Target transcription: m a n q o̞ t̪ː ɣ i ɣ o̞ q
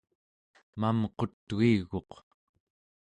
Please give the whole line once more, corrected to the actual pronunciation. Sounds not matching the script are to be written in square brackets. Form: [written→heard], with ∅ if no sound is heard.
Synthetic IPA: m a [n→m] q o̞ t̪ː ɣ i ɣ o̞ q